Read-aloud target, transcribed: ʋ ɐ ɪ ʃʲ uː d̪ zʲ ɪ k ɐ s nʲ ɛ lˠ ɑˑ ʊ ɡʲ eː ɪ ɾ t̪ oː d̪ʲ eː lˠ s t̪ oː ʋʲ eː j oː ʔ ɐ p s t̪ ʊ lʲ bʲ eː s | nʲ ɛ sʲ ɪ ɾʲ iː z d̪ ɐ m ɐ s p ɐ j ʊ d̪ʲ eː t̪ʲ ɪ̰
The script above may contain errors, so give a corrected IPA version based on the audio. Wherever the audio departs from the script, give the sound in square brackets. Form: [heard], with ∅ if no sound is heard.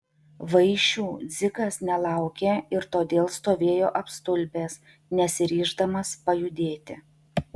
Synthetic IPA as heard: ʋ ɐ ɪ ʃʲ uː d̪ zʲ ɪ k ɐ s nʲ ɛ lˠ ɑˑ ʊ [kʲ] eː ɪ ɾ t̪ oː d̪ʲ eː lˠ s t̪ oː ʋʲ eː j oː ʔ ɐ p s t̪ ʊ lʲ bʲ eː s | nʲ ɛ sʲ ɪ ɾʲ iː [ʒ] d̪ ɐ m ɐ s p ɐ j ʊ d̪ʲ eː t̪ʲ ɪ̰